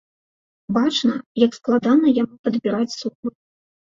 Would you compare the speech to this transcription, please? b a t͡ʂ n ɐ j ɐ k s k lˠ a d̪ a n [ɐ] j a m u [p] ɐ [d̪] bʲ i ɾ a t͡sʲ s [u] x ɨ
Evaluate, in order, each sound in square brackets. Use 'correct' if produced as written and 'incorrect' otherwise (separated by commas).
correct, correct, correct, correct